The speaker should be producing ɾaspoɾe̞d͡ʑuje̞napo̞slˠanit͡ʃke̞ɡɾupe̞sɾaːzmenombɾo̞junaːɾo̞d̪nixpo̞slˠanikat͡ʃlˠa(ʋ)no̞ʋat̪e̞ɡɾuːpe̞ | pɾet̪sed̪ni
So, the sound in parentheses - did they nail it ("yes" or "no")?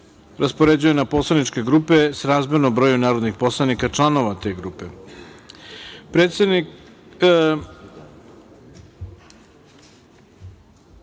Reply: no